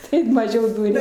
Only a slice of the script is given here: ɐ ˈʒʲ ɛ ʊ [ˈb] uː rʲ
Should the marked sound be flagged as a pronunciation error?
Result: yes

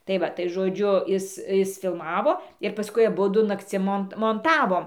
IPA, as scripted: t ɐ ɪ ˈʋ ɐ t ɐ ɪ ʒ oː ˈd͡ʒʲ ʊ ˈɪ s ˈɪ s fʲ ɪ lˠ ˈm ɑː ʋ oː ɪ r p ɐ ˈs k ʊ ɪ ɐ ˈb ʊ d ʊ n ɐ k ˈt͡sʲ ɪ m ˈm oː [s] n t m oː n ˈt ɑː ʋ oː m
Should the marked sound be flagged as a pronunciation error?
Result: yes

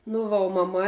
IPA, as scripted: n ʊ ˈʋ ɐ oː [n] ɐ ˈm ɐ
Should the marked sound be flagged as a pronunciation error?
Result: yes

